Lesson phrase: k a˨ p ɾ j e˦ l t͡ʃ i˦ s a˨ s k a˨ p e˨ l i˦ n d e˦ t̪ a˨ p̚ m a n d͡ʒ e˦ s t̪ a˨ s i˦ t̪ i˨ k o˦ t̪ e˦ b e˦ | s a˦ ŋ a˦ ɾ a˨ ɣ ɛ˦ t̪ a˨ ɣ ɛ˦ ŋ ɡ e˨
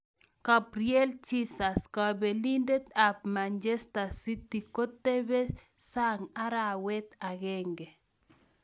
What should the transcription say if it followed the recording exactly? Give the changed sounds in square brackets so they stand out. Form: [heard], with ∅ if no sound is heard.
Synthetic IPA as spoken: k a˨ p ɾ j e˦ l t͡ʃ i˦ s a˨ s k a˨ [b] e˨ l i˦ n d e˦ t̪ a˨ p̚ m a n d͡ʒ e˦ s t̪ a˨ s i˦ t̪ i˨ k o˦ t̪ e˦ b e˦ | s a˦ ŋ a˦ ɾ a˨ [w] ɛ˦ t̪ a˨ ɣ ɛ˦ ŋ ɡ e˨